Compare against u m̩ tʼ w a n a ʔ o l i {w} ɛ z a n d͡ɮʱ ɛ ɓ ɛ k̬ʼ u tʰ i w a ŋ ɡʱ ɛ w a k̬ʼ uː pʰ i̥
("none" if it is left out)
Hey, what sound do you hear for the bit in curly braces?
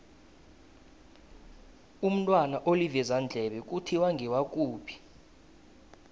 v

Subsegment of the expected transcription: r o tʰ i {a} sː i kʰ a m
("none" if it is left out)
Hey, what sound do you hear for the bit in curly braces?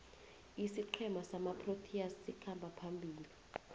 a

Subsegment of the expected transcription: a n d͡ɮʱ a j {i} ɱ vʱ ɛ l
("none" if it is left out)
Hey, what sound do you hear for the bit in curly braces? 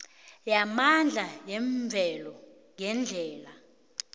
ɛ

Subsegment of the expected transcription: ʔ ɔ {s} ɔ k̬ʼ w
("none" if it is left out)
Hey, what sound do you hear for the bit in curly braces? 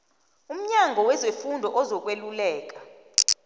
z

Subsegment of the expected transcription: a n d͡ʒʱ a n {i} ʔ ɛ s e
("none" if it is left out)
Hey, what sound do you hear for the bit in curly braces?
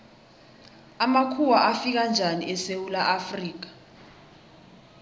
i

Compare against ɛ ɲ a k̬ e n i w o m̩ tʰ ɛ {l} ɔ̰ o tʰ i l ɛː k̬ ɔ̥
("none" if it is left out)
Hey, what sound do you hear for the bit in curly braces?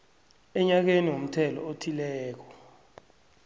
l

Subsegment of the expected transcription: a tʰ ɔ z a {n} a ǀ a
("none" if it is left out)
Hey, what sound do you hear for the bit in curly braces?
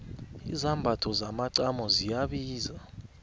m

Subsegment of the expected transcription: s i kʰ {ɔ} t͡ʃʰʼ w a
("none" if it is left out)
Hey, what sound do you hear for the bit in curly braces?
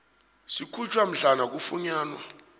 u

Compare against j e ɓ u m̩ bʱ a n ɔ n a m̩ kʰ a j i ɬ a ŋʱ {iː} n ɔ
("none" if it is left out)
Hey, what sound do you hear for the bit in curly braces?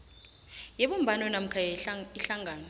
aː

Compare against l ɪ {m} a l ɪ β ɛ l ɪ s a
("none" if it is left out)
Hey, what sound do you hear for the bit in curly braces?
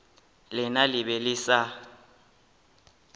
n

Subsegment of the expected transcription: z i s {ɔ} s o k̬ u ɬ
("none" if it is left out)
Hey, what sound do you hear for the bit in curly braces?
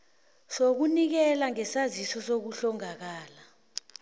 ɔ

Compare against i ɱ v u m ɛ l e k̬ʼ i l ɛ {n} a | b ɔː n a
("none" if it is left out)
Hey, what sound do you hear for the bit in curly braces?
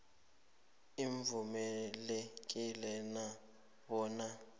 n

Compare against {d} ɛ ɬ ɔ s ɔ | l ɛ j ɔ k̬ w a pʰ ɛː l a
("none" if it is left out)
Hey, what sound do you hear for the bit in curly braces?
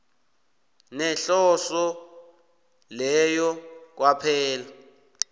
n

